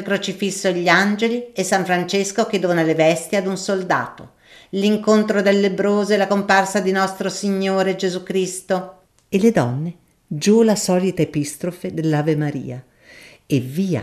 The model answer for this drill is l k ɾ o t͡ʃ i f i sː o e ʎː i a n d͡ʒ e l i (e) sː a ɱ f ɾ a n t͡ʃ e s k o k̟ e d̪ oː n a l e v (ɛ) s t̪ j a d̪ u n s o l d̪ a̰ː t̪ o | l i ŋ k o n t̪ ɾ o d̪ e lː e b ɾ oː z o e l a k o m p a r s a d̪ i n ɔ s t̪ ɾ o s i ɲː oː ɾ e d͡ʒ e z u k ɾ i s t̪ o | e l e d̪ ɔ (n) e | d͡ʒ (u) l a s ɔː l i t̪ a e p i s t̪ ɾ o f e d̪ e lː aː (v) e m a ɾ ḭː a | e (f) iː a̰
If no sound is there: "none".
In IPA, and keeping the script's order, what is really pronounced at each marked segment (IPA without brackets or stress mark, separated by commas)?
e, ɛ, nː, u, v, v